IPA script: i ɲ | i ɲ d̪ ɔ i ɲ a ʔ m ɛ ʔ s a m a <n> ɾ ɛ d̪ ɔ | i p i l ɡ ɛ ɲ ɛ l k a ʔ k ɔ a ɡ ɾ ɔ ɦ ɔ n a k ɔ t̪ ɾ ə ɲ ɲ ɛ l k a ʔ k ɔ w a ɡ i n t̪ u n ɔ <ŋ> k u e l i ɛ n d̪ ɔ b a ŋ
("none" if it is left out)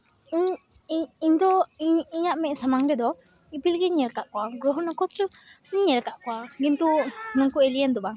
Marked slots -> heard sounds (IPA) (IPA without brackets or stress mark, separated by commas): ŋ, ŋ